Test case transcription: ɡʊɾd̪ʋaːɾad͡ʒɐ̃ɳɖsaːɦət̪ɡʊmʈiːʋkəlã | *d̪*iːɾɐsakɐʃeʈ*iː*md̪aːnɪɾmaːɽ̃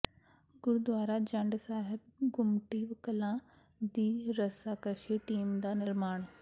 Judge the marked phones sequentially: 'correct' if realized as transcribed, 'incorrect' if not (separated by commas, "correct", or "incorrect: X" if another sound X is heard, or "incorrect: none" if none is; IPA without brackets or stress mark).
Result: correct, correct